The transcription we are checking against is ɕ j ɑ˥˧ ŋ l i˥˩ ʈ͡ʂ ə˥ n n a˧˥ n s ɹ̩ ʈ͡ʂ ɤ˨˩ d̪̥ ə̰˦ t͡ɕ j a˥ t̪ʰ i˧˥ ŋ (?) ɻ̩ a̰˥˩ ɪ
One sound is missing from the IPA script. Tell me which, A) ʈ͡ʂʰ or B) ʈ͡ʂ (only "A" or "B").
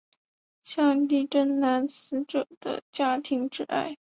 B